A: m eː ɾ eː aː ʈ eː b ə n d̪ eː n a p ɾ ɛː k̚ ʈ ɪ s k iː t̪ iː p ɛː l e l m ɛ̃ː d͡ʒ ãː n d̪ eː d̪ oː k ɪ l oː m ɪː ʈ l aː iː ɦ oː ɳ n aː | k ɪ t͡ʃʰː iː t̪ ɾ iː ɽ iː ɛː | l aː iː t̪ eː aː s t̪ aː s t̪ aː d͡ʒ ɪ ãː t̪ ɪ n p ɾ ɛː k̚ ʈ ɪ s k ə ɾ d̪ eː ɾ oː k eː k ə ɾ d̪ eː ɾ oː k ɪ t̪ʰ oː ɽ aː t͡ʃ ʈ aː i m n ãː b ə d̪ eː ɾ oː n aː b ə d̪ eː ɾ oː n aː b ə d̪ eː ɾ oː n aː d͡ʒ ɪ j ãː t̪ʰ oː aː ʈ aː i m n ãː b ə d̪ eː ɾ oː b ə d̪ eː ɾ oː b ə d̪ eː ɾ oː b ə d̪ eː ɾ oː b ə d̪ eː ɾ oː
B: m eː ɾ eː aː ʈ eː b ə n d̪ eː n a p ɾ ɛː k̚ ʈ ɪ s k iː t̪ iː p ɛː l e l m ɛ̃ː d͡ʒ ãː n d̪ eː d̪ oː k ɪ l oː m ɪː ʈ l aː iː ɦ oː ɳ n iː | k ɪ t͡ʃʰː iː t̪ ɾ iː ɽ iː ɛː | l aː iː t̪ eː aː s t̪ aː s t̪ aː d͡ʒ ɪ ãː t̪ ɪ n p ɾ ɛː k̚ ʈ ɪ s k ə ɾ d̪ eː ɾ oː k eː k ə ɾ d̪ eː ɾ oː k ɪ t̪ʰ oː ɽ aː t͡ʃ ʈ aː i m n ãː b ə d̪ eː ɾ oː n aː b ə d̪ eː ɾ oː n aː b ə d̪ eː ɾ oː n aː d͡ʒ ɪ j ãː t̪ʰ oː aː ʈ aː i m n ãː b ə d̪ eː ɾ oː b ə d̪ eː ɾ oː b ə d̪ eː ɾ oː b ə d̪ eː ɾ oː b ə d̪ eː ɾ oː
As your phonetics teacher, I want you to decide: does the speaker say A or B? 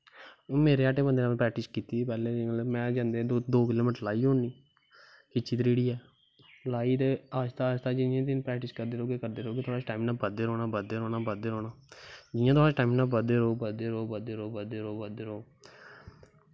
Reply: B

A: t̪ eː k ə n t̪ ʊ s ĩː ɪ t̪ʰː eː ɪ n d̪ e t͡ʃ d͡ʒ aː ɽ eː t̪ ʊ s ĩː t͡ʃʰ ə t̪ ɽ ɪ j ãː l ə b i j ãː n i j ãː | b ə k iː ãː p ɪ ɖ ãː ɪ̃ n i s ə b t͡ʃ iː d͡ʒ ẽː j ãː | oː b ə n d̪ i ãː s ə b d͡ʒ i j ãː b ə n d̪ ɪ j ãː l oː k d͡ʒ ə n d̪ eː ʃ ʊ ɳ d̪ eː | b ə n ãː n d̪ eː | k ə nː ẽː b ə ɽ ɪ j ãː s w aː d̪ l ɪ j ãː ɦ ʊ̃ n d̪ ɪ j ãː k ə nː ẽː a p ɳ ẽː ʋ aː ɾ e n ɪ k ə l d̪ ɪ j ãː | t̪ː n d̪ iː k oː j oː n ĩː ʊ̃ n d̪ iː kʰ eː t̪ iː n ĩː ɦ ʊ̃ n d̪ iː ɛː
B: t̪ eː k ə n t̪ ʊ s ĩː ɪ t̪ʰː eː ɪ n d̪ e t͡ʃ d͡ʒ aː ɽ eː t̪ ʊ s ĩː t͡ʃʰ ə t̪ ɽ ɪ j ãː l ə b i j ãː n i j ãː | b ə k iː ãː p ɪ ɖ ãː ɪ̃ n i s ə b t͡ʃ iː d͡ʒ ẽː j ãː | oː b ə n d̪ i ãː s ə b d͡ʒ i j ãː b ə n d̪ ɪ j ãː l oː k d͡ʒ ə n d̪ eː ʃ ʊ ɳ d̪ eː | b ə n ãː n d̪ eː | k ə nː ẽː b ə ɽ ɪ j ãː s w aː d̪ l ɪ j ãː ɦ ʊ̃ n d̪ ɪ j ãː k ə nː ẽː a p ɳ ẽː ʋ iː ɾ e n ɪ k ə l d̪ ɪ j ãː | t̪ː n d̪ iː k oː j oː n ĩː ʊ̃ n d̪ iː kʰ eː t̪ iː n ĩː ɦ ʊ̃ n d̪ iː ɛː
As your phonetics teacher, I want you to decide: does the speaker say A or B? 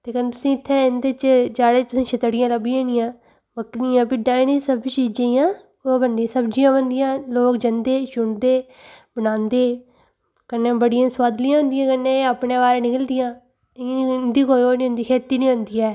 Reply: A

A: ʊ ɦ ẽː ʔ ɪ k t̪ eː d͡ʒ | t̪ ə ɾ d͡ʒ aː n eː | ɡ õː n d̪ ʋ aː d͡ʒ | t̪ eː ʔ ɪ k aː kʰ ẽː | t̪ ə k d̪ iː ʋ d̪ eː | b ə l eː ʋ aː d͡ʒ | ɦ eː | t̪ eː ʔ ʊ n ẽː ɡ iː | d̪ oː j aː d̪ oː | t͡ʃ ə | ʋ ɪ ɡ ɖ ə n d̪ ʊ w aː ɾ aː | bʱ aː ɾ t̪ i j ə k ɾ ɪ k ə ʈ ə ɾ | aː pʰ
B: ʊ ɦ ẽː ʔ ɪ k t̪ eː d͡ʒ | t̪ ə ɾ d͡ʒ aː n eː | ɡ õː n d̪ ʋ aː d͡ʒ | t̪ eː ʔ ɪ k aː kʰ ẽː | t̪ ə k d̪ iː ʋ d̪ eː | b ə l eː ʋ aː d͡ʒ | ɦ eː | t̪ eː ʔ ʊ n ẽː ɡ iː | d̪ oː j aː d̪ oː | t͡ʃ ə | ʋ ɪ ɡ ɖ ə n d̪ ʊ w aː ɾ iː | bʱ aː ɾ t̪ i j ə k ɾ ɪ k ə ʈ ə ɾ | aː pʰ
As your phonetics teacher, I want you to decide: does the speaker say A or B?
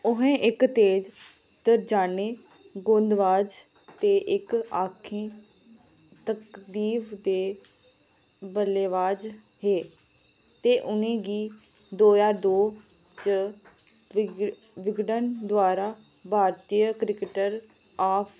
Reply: A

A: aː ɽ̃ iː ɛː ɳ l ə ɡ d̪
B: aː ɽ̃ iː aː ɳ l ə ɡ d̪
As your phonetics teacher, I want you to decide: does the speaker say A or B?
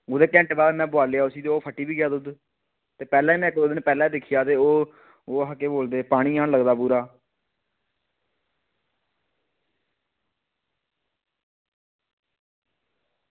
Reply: B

